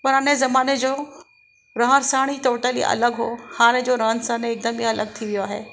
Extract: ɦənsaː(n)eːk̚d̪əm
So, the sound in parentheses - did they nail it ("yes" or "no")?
yes